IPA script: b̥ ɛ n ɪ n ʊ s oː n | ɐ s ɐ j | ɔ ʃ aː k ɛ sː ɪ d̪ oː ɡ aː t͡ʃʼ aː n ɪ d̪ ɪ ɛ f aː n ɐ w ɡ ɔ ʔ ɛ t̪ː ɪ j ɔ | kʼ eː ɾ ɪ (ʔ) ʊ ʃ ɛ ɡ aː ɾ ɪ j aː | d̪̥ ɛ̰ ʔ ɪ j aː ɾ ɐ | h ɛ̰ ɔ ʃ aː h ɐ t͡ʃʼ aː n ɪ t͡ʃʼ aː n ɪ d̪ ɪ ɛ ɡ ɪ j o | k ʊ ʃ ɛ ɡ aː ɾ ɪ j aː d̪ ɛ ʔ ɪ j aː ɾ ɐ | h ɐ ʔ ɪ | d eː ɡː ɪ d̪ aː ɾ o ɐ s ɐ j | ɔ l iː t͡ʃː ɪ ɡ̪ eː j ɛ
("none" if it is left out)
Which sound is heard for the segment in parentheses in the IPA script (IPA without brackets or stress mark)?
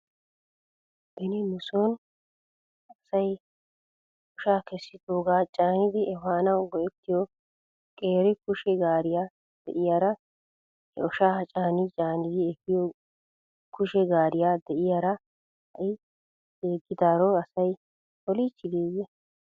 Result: k